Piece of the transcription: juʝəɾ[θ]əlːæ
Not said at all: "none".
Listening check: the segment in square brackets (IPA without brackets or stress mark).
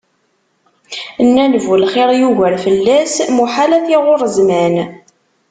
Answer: f